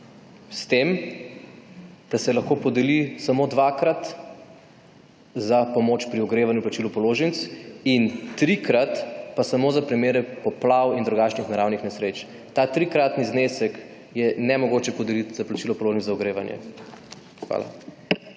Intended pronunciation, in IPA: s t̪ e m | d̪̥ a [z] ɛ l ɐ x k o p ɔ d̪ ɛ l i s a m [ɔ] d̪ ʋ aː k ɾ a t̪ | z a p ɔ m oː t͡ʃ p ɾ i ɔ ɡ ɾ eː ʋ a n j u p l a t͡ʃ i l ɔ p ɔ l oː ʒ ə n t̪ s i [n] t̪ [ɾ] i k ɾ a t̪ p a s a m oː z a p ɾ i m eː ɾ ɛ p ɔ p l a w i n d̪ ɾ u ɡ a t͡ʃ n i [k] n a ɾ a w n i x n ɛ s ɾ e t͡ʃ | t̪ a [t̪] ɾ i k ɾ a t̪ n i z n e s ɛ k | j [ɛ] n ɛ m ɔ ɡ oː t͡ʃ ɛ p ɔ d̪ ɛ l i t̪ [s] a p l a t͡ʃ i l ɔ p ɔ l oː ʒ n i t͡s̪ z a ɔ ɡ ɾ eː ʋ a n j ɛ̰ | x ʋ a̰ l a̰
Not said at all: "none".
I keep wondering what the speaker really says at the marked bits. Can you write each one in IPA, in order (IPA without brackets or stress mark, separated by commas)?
s, o, n, ɾ, x, t̪, ɛ, z